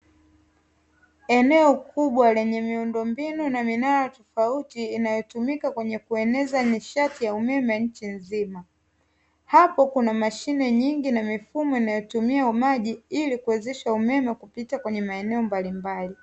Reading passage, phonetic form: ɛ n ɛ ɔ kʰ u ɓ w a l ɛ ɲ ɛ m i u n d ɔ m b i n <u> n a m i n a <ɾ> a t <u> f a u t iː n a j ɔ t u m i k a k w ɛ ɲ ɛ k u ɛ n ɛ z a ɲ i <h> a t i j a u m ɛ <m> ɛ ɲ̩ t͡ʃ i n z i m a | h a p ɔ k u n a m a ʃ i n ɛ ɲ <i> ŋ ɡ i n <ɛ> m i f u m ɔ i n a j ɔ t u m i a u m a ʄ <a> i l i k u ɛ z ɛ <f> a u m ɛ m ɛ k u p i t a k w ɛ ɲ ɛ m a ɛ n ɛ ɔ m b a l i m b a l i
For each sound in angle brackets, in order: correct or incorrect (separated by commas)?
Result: correct, correct, incorrect, incorrect, correct, correct, incorrect, incorrect, incorrect